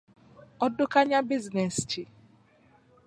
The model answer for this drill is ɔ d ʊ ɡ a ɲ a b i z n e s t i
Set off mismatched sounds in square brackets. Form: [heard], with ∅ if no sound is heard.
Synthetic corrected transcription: ɔ d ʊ [k] a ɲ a b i z n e s [t͡ʃ] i